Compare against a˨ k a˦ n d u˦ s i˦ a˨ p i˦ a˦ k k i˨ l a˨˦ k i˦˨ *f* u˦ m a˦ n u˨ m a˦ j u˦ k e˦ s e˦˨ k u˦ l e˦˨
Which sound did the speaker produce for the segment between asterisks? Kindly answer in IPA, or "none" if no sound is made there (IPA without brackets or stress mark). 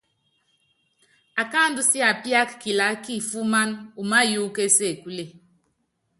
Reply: f